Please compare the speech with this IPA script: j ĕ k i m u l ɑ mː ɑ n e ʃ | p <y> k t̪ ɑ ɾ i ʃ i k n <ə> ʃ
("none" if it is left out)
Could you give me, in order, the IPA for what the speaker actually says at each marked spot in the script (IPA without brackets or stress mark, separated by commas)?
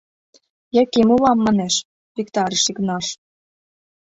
i, ɑ